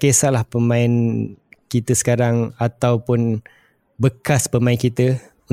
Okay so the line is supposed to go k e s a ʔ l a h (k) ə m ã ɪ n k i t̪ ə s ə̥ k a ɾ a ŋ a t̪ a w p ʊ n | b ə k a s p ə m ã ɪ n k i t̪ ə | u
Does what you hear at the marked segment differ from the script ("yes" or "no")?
yes